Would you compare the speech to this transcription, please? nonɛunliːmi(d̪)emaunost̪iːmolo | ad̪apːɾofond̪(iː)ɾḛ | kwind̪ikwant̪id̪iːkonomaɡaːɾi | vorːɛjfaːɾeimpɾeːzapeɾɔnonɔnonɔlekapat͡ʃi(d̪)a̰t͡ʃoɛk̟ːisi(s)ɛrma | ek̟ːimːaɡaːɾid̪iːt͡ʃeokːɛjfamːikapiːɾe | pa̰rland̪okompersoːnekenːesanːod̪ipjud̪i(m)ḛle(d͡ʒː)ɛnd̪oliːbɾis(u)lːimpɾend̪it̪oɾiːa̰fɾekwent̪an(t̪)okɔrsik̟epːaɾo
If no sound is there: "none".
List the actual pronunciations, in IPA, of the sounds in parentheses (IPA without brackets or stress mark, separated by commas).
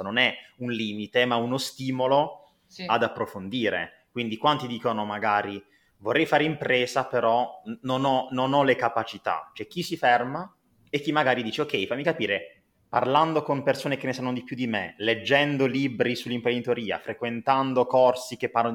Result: t̪, iː, t̪, f, m, d͡ʒː, u, d̪